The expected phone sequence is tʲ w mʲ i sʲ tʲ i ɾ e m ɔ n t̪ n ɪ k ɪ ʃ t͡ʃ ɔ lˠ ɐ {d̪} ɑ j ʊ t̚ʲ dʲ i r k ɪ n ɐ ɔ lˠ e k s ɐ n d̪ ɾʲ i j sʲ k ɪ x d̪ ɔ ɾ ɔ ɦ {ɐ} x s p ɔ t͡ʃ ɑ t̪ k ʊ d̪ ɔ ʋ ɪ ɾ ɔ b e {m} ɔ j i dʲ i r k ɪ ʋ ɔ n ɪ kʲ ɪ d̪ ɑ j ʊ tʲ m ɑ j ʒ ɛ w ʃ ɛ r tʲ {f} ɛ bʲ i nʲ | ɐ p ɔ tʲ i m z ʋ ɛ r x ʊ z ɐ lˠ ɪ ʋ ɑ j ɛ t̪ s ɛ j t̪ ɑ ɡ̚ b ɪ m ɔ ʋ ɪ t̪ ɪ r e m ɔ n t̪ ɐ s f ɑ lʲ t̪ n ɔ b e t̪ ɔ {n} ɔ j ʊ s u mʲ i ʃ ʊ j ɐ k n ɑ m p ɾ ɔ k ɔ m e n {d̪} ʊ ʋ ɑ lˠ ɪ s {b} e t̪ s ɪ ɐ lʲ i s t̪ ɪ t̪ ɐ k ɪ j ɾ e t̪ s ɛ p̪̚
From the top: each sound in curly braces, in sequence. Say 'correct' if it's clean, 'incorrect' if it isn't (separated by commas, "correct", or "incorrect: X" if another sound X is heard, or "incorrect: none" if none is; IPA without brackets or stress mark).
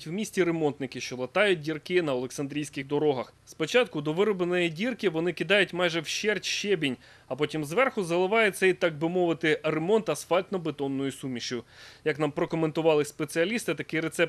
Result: incorrect: t̪, correct, incorrect: n, incorrect: ʃ, incorrect: nː, incorrect: t̪, incorrect: p